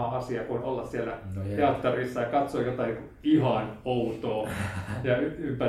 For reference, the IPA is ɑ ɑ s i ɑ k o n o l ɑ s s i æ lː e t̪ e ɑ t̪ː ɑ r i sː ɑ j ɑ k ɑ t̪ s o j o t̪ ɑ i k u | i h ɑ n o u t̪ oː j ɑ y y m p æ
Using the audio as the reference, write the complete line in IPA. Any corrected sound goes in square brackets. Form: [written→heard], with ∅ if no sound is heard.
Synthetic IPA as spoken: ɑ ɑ s i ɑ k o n o [l→lː] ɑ s s i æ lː [e→æ] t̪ e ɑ t̪ː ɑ r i sː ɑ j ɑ k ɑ t̪ s o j o t̪ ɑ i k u | i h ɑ n o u t̪ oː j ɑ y y m p æ